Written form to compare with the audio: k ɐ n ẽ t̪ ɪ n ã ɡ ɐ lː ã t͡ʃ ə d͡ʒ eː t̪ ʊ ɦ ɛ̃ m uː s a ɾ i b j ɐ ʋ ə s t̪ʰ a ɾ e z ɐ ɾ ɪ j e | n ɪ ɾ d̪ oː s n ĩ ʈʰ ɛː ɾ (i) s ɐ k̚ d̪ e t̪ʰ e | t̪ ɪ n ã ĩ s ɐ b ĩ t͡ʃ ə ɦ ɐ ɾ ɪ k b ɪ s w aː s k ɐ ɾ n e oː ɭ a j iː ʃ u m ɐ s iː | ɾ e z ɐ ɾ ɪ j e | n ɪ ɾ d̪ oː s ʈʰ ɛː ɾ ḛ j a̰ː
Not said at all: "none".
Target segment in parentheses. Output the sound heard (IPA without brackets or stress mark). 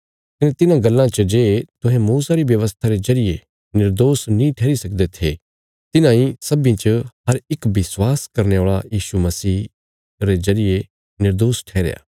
i